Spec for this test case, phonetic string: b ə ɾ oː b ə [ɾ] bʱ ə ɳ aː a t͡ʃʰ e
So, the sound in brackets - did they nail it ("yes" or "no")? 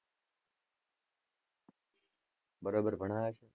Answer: yes